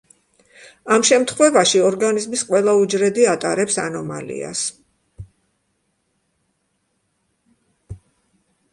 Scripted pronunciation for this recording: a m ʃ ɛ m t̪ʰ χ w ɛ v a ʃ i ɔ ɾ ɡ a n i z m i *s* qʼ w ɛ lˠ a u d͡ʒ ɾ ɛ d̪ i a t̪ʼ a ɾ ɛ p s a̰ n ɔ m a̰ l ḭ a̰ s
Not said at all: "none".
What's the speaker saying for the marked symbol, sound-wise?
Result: s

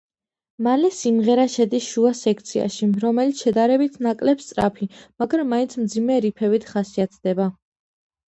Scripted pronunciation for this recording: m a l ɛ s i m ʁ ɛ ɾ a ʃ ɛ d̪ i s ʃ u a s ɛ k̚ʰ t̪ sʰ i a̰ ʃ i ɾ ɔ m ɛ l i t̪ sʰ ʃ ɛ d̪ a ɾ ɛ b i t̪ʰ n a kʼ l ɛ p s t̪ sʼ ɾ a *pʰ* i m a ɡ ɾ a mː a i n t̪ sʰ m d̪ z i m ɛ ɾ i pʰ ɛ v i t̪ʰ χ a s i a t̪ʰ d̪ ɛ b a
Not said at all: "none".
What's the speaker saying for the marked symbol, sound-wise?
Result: pʰ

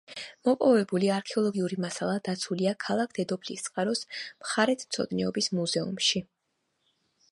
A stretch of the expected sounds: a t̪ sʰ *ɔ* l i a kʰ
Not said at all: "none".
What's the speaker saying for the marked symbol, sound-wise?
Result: u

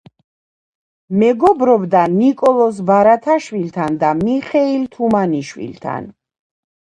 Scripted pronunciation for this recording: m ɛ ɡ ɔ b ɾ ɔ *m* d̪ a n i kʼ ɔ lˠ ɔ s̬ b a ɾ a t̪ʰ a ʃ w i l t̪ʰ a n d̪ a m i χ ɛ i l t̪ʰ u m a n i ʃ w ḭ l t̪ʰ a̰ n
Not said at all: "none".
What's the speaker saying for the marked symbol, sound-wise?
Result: b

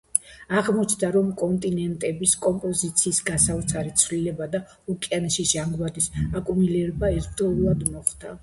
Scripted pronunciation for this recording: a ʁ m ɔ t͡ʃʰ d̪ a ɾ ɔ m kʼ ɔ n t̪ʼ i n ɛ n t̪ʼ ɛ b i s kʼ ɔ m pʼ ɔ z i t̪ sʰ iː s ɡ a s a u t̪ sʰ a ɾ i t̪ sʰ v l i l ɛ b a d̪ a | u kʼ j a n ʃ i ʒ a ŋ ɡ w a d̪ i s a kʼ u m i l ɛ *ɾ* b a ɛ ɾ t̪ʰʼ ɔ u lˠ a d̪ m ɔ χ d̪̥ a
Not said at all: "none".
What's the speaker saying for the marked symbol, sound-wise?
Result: ɾ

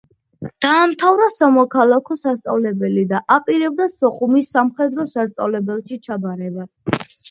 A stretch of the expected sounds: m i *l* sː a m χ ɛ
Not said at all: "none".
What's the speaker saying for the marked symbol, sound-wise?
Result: none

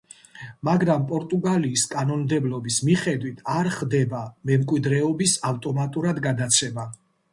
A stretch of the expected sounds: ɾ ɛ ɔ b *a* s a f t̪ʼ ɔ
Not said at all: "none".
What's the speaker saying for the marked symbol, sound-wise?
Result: i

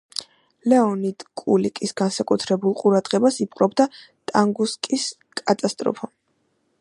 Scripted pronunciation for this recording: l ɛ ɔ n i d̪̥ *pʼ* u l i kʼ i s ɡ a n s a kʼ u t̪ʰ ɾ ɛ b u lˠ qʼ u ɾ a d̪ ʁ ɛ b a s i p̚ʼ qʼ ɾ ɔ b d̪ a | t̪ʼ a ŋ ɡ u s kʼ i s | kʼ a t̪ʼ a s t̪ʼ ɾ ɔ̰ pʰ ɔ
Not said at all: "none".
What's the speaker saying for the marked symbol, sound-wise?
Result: kʼ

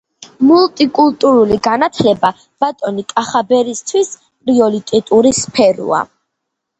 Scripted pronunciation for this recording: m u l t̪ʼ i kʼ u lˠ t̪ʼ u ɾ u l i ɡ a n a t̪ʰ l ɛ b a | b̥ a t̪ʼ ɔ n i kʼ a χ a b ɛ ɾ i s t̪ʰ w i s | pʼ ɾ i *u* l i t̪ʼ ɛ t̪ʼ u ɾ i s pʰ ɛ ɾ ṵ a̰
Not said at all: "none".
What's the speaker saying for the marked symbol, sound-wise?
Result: ɔ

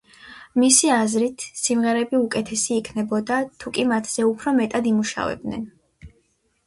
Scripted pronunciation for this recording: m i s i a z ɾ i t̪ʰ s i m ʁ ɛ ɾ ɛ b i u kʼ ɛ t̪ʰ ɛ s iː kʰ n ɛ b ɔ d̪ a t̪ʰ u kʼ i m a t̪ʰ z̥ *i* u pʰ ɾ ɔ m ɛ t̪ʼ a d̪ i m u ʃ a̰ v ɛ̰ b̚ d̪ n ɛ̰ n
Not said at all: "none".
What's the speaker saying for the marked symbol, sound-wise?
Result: ɛ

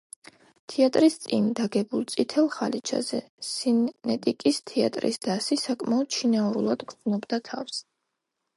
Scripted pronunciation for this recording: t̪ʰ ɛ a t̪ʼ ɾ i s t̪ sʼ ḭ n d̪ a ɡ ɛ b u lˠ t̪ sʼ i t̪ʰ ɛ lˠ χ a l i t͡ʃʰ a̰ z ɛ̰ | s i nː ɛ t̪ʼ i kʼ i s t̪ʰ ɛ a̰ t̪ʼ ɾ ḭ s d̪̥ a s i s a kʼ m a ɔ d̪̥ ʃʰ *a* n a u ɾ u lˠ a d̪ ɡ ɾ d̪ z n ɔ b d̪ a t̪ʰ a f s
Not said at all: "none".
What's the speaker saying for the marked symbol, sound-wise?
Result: i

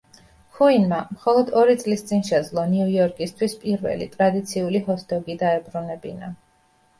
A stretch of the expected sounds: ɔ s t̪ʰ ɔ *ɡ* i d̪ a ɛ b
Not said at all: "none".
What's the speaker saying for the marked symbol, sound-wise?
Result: ɡ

